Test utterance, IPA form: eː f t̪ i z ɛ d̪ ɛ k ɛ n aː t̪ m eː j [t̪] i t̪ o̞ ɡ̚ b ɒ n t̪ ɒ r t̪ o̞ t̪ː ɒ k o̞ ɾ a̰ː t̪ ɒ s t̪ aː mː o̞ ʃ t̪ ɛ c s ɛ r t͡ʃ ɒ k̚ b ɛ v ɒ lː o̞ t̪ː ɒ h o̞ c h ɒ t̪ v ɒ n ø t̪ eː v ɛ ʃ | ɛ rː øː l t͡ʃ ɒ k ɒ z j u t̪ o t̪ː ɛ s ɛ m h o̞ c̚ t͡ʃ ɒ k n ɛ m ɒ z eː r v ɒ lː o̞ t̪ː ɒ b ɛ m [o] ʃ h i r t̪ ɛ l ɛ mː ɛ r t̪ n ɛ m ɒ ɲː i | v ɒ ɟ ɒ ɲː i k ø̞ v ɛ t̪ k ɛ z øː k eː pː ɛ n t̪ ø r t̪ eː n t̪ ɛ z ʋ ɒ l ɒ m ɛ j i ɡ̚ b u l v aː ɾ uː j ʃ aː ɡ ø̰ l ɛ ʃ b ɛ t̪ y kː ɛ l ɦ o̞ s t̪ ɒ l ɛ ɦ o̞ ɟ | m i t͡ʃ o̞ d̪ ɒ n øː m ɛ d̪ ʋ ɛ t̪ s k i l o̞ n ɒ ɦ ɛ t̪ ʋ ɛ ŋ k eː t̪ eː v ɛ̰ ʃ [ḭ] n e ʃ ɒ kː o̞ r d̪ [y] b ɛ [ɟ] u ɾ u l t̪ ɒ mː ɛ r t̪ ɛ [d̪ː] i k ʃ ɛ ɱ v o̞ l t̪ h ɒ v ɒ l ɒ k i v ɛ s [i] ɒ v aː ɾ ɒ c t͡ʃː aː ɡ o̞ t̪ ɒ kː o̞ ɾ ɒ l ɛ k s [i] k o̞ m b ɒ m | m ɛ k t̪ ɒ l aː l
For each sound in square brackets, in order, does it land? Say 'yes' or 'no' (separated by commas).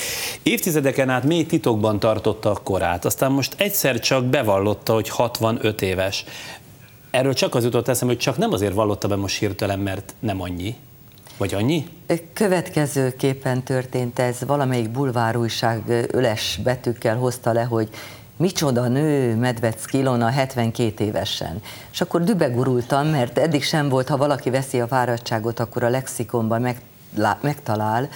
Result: yes, yes, no, yes, no, yes, yes, yes